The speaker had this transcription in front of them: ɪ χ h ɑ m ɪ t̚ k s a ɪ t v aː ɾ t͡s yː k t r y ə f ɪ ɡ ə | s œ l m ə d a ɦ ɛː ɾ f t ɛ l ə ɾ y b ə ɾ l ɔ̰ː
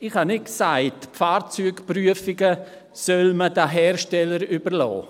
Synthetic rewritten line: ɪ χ h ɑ n ɪ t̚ k s a ɪ t f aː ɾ t͡s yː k p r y ə f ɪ ɡ ə | s œ l m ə d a ɦ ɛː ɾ ʃ t ɛ l ə ɾ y b ə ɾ l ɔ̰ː